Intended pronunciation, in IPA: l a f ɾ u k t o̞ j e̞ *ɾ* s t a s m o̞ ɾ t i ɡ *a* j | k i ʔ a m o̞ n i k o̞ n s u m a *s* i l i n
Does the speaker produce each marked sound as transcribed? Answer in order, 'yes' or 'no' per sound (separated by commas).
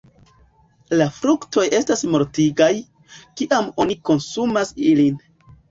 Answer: no, yes, yes